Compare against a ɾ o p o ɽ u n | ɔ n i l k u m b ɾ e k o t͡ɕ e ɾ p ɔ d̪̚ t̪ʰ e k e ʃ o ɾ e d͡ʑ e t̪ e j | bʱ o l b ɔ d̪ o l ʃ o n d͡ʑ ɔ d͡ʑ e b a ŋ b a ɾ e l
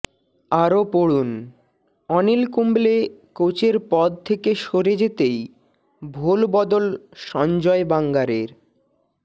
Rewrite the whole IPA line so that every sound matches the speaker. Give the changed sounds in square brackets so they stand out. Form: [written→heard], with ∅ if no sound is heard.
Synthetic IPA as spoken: a ɾ o p o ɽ u n | ɔ n i l k u m b [ɾ→l] e k o t͡ɕ e ɾ p ɔ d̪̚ t̪ʰ e k e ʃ o ɾ e d͡ʑ e t̪ e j | bʱ o l b ɔ d̪ o l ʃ [o→ɔ] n d͡ʑ ɔ [d͡ʑ→∅] e b a ŋ [b→ɡ] a ɾ e [l→ɾ]